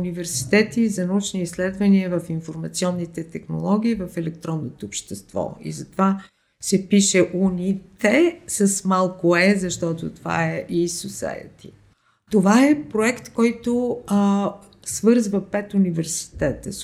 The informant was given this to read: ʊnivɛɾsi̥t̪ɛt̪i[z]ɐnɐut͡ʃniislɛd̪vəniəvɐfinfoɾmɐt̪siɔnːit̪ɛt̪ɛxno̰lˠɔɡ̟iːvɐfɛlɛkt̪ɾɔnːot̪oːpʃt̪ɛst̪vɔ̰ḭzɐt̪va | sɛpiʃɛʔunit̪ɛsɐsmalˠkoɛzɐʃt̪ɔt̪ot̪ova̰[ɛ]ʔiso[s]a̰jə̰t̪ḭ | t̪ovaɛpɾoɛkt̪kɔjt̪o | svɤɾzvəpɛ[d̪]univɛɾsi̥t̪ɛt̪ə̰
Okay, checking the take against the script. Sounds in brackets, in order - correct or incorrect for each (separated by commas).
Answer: correct, correct, correct, incorrect